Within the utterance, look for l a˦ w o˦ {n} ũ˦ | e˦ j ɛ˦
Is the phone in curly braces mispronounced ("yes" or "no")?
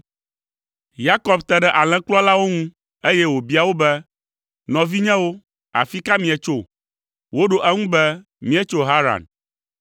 yes